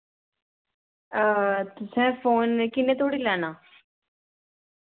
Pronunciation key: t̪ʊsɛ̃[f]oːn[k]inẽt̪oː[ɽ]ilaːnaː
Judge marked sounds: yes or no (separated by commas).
yes, yes, yes